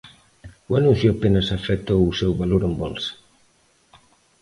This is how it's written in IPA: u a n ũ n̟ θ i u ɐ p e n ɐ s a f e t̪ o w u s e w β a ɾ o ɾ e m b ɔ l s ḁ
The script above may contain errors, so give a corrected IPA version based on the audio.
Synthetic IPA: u a n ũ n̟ θ j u a p e n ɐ s a f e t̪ o w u s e w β a l o ɾ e m b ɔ l s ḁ